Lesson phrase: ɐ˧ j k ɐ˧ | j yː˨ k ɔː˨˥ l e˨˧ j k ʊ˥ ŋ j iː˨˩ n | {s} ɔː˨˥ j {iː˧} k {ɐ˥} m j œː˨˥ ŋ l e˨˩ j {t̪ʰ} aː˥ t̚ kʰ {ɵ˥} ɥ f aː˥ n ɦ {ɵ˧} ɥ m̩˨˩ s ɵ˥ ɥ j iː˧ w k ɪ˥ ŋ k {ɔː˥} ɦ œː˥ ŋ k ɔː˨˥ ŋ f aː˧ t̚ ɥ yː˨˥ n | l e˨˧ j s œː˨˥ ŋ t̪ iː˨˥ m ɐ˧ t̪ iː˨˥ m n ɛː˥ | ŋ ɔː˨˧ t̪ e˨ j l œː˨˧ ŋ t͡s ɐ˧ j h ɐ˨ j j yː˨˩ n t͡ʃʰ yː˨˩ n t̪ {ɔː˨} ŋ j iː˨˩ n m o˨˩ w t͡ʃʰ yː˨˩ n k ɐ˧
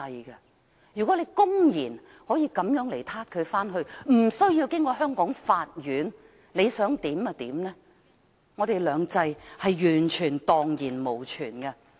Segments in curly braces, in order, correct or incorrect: incorrect: h, correct, incorrect: ɐ˨˥, correct, incorrect: ɵ˨˧, correct, incorrect: ɔː˧, correct

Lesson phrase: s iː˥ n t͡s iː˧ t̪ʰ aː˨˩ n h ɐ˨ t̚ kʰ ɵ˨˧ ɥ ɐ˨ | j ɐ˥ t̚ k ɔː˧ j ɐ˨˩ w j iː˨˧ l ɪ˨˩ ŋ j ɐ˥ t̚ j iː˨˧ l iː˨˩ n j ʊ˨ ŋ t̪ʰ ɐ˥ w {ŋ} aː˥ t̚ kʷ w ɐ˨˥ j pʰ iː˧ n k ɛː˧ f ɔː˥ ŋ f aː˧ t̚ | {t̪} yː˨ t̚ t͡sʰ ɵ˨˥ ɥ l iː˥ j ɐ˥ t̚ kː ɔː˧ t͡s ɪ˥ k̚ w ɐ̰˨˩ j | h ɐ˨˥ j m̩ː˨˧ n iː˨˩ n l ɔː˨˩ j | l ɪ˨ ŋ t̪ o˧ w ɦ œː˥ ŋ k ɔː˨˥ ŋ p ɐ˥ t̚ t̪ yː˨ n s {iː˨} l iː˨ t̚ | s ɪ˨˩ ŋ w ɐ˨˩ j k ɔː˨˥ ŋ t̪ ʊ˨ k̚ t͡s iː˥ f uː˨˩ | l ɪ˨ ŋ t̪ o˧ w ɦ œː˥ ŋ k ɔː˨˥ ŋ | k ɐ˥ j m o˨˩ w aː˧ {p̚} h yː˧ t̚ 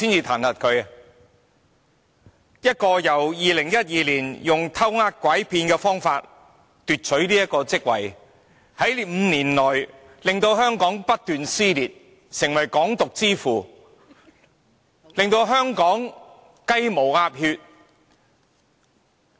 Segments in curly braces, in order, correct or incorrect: correct, correct, incorrect: iː˥, correct

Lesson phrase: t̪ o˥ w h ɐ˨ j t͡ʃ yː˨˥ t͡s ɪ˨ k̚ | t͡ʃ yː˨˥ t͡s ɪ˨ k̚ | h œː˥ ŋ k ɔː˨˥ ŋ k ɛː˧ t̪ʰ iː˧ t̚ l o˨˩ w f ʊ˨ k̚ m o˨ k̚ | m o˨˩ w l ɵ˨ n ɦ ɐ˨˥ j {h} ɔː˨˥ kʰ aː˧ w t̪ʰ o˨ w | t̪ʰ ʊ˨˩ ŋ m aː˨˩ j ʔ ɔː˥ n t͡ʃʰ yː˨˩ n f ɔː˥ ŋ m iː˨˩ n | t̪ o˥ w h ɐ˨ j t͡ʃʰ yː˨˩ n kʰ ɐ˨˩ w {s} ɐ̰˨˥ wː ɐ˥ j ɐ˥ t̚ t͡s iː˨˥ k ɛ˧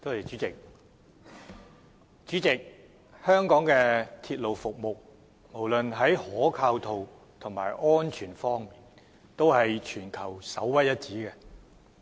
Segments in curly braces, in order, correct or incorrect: correct, correct

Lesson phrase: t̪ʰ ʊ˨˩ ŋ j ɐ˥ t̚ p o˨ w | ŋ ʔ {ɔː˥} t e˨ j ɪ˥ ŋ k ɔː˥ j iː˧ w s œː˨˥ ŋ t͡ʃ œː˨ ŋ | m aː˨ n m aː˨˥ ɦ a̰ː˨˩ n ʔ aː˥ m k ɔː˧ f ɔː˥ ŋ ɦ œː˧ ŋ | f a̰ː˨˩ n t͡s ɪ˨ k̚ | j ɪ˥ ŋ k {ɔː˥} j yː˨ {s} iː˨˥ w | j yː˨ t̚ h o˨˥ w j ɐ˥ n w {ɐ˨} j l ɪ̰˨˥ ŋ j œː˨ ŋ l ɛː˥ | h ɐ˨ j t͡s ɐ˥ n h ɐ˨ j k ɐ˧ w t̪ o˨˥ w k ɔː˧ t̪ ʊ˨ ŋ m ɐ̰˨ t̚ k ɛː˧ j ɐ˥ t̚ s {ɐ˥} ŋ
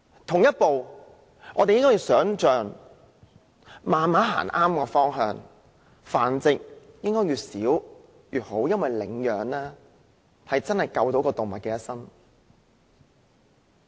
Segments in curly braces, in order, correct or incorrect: incorrect: ɔː˨˧, correct, correct, correct, correct

